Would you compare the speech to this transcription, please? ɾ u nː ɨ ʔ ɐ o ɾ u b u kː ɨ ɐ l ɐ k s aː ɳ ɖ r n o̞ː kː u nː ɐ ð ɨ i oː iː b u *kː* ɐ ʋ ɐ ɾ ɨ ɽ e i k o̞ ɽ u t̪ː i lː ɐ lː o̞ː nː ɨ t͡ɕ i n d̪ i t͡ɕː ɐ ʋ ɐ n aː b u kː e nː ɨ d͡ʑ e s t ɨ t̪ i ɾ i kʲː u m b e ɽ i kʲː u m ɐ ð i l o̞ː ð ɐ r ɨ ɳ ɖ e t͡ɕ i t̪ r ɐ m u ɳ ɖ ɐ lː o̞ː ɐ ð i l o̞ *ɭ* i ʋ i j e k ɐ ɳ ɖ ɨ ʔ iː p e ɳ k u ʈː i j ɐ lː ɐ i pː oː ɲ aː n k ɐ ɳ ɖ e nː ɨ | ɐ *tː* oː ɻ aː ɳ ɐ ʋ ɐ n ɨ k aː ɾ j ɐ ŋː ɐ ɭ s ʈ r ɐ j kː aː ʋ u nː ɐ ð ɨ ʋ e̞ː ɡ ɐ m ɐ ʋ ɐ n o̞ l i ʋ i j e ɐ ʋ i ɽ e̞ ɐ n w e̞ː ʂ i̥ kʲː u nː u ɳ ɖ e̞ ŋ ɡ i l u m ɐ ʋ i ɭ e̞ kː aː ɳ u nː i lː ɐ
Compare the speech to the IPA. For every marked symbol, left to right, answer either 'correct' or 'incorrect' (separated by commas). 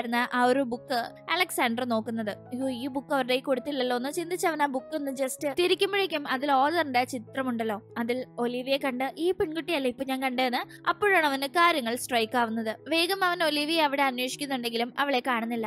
correct, incorrect, incorrect